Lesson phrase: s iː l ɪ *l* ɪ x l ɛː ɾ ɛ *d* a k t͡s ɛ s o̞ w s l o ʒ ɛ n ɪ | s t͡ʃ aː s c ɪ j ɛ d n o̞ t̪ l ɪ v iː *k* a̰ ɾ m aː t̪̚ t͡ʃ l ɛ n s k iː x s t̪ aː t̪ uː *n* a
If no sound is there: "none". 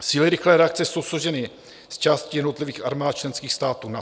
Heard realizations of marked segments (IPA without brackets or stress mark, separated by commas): ɾ, none, x, n